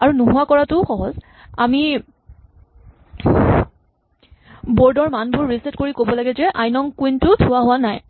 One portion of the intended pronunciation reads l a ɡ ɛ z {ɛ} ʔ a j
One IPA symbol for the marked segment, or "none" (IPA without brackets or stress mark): ɛ